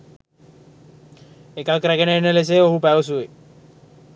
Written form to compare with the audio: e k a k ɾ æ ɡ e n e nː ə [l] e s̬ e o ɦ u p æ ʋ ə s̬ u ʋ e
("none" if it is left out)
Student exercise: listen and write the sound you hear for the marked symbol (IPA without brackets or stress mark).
l